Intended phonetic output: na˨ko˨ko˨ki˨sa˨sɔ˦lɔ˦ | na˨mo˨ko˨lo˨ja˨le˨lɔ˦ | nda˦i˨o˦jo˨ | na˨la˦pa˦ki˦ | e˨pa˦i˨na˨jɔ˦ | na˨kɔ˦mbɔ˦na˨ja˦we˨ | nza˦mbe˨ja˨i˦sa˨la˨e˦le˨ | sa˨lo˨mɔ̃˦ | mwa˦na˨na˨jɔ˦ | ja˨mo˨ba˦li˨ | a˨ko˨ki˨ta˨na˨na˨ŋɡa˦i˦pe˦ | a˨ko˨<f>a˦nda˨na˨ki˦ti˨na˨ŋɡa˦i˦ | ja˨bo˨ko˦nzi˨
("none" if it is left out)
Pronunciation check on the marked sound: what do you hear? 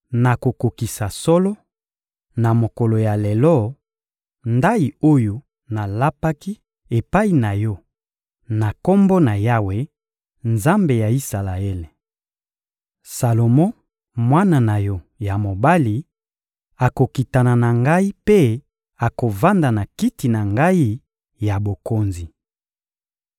v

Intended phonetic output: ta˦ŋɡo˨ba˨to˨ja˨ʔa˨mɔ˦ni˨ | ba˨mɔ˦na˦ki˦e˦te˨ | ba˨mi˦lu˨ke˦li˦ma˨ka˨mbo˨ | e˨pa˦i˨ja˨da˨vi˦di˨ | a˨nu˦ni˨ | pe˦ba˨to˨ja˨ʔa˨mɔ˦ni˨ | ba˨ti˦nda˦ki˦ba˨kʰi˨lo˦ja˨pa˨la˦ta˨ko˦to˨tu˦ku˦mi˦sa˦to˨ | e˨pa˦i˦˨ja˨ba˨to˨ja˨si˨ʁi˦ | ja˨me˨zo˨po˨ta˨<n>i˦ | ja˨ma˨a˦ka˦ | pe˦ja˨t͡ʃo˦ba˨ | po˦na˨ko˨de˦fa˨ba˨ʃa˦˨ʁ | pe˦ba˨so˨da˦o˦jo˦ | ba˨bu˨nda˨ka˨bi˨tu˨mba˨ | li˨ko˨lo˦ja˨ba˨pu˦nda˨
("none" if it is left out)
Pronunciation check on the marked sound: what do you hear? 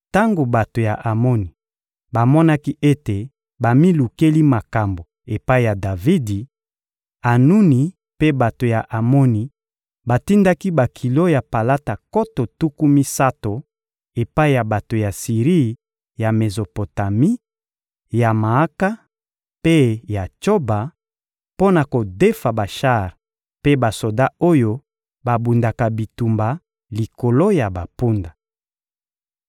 m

